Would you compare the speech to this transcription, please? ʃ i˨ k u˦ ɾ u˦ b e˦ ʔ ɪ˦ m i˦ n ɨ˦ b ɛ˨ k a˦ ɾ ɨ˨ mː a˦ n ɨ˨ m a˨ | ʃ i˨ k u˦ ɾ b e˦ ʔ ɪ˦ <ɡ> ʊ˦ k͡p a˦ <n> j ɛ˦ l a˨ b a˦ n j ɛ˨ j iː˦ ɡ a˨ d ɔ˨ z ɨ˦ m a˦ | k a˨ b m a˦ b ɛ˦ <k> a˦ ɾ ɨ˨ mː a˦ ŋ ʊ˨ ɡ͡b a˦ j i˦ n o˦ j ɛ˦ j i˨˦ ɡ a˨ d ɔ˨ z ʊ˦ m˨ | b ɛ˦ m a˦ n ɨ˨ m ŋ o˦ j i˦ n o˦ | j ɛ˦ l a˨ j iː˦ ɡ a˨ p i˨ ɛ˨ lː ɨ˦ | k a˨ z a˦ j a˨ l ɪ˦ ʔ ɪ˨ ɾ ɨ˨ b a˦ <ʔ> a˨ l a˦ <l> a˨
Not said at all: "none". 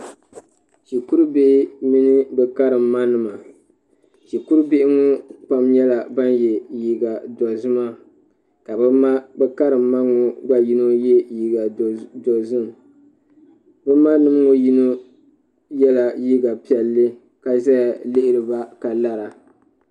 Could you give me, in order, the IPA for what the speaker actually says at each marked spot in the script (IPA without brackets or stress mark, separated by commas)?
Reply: ŋ, m, k, k, ɾ